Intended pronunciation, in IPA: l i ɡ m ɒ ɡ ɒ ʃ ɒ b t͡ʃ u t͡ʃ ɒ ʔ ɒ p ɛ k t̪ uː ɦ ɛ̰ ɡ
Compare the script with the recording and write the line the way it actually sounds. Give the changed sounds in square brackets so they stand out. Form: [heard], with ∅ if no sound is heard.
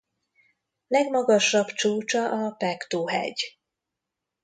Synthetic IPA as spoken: l [ɛ] ɡ m ɒ ɡ ɒ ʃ ɒ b t͡ʃ [uː] t͡ʃ ɒ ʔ ɒ p ɛ k t̪ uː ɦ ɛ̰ [ɟ]